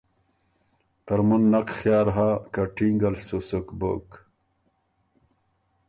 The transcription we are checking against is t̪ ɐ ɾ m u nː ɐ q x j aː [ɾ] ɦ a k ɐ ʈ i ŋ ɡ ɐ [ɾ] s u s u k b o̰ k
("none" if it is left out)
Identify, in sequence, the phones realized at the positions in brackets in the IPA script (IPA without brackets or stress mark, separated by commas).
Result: ɾ, l